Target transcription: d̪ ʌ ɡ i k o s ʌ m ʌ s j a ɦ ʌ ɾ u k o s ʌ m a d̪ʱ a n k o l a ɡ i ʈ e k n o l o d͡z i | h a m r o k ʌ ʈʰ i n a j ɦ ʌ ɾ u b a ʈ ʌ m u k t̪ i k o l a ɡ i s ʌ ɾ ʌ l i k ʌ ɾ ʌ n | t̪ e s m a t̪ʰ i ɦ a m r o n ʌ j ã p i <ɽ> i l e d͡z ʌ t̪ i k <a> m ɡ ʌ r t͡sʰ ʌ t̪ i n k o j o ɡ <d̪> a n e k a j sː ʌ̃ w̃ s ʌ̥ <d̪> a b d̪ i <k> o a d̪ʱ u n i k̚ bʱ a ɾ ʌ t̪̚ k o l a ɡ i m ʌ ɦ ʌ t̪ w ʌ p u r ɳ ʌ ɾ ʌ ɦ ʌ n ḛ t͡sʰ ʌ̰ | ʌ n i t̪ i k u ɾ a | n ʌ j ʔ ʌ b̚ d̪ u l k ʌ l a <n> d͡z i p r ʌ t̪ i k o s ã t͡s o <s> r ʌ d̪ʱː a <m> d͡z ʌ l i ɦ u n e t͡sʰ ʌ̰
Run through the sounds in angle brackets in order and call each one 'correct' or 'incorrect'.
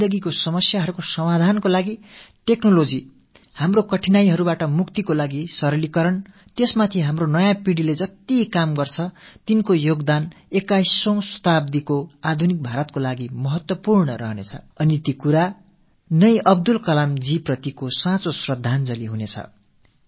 correct, correct, correct, incorrect, correct, incorrect, correct, incorrect

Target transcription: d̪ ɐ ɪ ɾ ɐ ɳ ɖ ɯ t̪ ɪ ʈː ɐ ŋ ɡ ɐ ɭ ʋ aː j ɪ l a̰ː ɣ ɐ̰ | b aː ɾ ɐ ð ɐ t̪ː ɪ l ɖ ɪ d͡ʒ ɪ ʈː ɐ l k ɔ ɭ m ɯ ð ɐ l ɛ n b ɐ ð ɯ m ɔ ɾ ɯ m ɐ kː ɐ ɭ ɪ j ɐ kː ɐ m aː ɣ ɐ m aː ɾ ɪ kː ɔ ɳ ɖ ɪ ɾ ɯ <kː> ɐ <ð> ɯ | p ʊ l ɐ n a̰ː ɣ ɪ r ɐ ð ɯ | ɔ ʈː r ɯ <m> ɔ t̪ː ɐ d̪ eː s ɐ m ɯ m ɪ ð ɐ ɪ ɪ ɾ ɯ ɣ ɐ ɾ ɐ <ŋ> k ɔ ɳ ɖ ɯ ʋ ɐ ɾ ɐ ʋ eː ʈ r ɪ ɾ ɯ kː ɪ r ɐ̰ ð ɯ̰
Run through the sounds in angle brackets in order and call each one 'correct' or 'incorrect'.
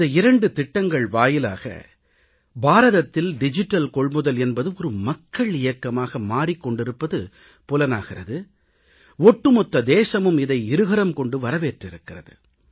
incorrect, correct, correct, incorrect

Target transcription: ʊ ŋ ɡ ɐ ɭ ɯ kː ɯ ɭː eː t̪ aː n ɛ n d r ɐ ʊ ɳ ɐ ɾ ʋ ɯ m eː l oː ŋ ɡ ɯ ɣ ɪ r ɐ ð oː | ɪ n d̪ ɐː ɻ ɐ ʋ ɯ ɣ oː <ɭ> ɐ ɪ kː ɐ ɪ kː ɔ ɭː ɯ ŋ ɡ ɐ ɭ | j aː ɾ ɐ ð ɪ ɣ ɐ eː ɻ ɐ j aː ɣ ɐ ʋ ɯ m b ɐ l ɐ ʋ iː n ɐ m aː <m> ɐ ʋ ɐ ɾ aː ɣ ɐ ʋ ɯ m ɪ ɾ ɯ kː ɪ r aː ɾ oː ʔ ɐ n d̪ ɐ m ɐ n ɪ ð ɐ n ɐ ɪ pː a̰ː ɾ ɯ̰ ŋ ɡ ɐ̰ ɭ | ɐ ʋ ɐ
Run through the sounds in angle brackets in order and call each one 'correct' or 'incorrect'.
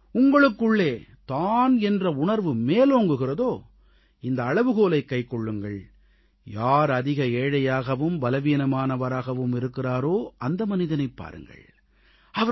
incorrect, incorrect

